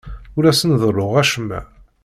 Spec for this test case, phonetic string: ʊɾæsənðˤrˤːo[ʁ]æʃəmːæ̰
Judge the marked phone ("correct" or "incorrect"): correct